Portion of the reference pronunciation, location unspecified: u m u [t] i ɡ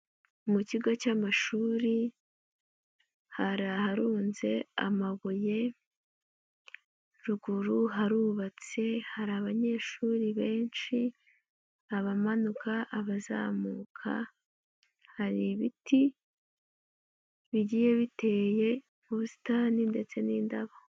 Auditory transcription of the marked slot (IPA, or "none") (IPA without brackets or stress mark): c